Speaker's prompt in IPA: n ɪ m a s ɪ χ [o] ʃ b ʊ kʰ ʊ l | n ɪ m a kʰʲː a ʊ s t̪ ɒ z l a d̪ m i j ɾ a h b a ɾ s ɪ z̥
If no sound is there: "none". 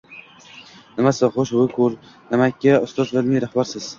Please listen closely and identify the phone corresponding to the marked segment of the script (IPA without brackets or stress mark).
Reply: o